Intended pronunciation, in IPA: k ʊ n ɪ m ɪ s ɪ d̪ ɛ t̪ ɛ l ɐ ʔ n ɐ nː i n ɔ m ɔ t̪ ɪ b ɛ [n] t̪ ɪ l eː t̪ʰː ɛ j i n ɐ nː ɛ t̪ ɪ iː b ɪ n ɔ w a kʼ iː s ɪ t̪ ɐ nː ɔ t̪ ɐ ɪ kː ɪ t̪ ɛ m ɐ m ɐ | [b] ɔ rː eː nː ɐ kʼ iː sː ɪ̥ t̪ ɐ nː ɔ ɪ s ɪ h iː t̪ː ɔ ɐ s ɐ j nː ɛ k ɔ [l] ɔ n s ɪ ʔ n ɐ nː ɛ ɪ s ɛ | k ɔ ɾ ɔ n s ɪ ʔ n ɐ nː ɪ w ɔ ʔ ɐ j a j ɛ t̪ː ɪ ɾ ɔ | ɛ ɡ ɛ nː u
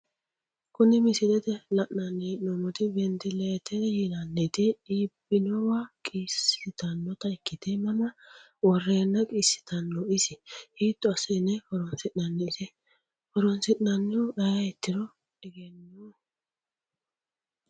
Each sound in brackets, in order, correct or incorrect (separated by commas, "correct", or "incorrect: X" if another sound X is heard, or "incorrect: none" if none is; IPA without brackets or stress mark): correct, incorrect: w, incorrect: ɾ